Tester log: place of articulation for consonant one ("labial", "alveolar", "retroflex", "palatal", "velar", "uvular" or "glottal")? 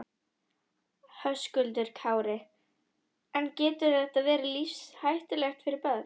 glottal